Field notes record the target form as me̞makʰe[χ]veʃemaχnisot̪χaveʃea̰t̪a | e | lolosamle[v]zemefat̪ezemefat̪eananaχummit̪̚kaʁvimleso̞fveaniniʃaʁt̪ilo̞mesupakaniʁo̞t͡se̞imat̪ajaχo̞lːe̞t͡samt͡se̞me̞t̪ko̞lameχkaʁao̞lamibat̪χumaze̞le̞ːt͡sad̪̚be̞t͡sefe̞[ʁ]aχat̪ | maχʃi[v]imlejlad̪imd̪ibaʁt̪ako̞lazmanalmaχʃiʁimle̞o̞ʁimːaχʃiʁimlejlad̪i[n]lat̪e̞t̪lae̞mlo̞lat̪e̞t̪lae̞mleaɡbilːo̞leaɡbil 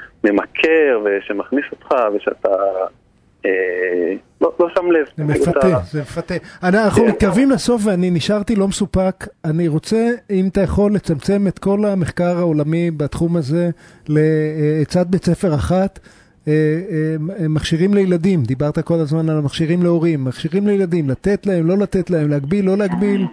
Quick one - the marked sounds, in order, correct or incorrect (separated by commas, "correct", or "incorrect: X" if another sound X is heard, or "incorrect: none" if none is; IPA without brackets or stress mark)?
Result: incorrect: ʁ, correct, correct, incorrect: ʁ, incorrect: m